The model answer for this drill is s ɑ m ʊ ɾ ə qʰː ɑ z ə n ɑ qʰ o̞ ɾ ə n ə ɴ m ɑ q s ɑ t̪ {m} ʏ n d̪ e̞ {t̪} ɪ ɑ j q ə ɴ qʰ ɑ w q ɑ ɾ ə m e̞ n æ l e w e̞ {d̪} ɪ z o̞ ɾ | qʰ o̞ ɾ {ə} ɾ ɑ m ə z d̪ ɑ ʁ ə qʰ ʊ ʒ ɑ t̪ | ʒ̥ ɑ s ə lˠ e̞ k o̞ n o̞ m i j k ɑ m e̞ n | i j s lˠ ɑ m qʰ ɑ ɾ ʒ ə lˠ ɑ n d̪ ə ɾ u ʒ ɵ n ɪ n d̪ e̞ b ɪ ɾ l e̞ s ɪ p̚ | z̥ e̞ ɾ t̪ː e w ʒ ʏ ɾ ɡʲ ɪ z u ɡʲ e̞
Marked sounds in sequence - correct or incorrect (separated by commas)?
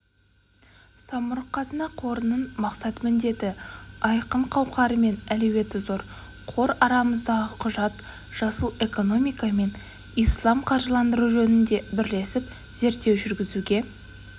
correct, correct, incorrect, incorrect